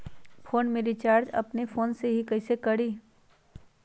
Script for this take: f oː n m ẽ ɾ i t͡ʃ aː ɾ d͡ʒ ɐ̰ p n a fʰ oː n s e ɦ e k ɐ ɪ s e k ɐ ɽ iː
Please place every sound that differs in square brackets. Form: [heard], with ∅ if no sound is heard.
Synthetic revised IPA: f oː n m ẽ ɾ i t͡ʃ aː ɾ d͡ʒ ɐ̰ p n [e] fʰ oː n s e ɦ [i] k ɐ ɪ s e k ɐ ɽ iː